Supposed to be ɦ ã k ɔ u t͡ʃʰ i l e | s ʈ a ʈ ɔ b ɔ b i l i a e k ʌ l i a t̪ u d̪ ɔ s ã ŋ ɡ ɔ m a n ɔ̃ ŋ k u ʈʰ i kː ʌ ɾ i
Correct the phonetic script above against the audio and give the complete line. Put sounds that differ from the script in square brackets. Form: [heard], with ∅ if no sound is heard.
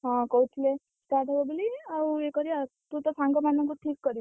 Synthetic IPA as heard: ɦ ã k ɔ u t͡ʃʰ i l e | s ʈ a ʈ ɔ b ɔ b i l i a e k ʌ [ɾ] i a t̪ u [t̪] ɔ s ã ŋ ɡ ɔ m a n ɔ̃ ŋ k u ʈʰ i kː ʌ ɾ i